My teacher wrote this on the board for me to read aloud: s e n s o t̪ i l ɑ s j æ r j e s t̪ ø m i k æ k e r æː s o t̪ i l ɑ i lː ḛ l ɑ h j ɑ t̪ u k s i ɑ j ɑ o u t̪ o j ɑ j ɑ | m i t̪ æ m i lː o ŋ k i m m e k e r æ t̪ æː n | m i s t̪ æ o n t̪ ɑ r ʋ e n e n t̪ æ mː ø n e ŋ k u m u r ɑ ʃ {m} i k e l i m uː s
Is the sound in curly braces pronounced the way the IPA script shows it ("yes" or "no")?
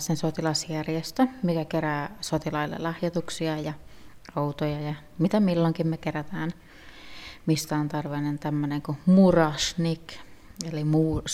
no